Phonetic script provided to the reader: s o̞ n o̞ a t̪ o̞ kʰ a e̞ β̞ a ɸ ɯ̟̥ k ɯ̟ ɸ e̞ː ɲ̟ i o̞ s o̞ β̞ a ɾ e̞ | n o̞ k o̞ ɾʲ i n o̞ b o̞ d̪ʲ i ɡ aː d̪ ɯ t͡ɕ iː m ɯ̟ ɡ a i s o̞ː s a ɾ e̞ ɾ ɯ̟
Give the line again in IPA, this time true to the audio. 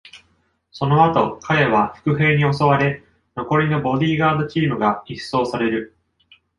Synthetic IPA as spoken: s o̞ n o̞ a t̪ o̞ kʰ a e̞ β̞ a ɸ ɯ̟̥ k ɯ̟ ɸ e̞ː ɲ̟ i o̞ s o̞ β̞ a ɾ e̞ | n o̞ k o̞ ɾʲ i n o̞ b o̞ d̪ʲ iː ɡ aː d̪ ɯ t͡ɕ iː m ɯ̟ ɡ a i s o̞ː s a ɾ e̞ ɾ ɯ̟